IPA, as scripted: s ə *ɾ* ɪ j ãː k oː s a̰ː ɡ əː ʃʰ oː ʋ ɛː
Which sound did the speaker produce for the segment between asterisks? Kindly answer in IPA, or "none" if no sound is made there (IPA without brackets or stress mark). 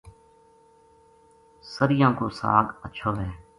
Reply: ɾ